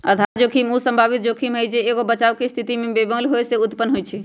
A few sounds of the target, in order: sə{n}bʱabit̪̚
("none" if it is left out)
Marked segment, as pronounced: m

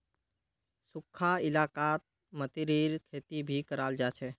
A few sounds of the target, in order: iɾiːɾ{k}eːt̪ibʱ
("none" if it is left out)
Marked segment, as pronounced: kʰ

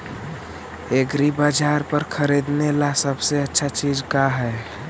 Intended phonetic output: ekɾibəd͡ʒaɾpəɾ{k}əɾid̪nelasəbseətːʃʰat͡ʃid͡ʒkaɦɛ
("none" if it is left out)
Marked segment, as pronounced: kʰ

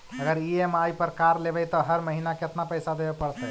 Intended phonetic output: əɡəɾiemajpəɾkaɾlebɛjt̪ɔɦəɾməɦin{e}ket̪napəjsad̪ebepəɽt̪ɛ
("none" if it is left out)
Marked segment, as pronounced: a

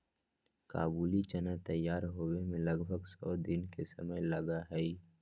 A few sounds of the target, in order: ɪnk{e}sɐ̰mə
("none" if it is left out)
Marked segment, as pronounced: e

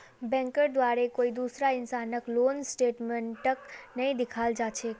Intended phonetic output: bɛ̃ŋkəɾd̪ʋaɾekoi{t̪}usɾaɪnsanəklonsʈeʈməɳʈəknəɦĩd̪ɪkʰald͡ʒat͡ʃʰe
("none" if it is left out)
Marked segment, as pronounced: d̪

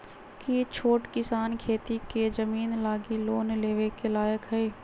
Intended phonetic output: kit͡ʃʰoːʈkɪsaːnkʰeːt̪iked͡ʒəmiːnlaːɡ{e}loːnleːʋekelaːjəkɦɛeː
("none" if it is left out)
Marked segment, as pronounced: i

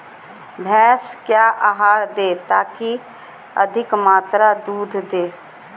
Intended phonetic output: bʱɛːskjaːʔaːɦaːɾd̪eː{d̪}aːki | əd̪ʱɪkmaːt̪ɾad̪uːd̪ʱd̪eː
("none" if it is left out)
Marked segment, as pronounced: t̪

